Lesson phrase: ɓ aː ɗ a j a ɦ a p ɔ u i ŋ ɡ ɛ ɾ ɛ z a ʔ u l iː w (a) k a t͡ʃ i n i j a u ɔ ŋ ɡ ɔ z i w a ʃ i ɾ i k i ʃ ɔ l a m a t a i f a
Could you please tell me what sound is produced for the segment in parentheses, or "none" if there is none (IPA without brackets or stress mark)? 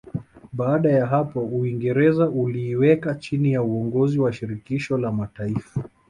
ɛ